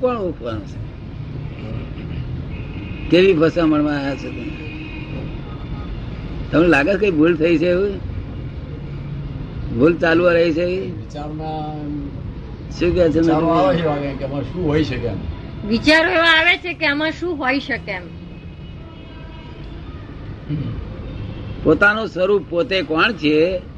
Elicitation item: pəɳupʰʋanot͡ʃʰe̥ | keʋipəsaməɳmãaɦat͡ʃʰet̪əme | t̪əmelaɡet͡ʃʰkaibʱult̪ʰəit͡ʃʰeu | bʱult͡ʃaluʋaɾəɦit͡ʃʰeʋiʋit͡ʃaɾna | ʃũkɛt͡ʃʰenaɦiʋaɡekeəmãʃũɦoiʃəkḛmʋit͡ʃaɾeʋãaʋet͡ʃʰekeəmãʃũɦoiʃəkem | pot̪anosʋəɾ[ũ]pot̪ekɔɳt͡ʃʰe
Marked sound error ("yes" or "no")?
yes